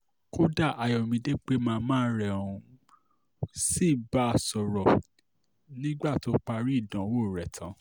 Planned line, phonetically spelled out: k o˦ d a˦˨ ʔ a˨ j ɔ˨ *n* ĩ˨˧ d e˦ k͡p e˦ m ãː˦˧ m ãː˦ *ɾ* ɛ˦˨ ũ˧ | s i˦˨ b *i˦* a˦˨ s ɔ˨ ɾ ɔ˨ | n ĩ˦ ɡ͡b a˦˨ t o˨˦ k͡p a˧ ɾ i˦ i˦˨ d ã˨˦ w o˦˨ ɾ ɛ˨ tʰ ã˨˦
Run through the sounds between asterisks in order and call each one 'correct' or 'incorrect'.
incorrect: m, correct, incorrect: a˦

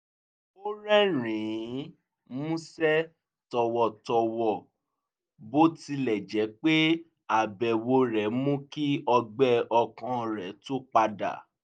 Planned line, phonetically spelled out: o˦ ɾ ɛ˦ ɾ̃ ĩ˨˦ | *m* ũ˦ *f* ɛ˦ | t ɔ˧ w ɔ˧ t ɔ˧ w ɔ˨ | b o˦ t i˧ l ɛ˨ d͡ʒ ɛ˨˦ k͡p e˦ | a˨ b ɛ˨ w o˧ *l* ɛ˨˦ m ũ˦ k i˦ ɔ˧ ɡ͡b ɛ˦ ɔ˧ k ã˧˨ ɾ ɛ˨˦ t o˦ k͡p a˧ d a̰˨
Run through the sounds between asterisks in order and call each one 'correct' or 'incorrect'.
correct, incorrect: s, incorrect: ɾ

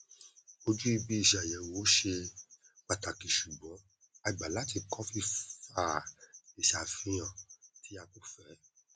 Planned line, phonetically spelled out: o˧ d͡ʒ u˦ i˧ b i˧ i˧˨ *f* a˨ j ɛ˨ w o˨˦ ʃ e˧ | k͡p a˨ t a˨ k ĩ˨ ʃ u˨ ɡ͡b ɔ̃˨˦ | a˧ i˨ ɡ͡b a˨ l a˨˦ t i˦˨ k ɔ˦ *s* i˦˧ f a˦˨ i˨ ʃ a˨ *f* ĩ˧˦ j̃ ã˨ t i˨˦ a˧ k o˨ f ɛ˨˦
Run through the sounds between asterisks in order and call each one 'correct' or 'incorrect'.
incorrect: ʃ, incorrect: f, correct

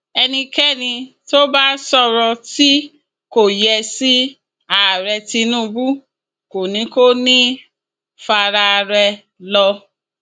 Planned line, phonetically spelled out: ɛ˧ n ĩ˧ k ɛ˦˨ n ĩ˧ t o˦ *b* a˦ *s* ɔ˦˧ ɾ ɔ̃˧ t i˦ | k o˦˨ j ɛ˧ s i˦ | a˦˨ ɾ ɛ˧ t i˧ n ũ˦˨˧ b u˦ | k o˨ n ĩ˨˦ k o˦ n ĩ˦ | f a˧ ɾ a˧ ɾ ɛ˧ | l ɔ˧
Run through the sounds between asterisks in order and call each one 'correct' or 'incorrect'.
correct, correct

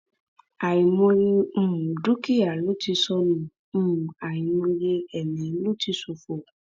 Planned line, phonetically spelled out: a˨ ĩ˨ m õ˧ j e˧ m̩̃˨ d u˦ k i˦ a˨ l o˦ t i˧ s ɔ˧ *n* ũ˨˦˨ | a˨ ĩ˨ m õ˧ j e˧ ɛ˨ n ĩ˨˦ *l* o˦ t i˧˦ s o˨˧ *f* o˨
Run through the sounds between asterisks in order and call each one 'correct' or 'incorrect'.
correct, correct, correct

